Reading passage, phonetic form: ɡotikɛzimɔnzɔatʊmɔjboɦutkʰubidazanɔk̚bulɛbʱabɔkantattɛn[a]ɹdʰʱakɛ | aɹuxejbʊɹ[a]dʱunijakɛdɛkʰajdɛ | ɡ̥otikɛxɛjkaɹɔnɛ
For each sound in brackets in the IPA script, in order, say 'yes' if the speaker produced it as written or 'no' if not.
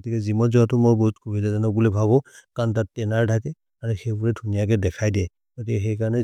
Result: yes, no

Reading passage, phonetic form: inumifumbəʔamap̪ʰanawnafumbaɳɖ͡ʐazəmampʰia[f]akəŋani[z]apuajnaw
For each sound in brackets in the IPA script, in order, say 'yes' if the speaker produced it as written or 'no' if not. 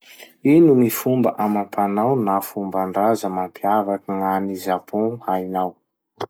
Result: no, yes

